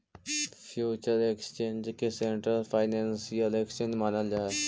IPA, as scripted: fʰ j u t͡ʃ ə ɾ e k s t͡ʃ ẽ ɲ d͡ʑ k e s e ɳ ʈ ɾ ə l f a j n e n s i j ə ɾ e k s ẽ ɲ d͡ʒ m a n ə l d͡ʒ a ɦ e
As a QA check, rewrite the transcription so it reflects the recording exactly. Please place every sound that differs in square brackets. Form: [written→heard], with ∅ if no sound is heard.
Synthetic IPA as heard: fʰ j u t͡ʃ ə ɾ e k s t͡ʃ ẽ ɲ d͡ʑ k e s e ɳ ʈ ɾ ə l f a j n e n s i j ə [ɾ→l] e k s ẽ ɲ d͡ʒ m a n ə l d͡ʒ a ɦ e

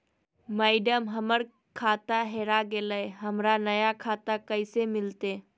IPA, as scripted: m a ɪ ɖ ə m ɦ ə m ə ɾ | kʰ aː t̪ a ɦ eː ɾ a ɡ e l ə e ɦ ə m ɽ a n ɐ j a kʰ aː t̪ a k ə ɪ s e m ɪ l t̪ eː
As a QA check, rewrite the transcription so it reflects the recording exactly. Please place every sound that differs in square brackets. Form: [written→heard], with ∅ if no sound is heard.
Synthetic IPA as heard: m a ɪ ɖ ə m ɦ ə m ə ɾ | kʰ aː t̪ a ɦ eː ɾ a ɡ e l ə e ɦ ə m [ɽ→ɾ] a n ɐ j a kʰ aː t̪ a k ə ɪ s e m ɪ l t̪ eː

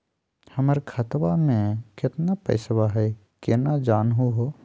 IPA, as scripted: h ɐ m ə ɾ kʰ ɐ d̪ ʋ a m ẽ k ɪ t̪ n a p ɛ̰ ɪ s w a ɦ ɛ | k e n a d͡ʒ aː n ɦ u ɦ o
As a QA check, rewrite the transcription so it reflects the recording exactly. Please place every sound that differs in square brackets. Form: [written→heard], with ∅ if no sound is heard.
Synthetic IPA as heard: h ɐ m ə ɾ kʰ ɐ [d̪→t̪] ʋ a m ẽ k ɪ t̪ n a p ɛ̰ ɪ s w a ɦ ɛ | k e n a d͡ʒ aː n ɦ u ɦ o

